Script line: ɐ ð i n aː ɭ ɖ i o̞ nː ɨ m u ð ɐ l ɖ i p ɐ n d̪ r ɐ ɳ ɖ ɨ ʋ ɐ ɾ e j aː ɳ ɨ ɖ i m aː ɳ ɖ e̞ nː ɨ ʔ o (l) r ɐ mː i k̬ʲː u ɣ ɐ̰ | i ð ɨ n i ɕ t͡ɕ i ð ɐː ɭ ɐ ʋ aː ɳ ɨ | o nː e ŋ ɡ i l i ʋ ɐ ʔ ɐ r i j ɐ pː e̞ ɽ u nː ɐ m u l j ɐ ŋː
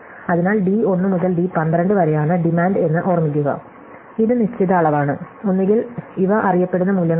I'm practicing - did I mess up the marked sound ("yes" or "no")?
yes